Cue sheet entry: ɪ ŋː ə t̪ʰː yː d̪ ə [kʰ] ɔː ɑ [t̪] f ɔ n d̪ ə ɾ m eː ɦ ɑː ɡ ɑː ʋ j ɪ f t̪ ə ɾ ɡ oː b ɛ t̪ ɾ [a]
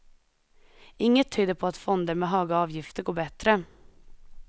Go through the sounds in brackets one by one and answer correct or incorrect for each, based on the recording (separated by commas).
incorrect, correct, incorrect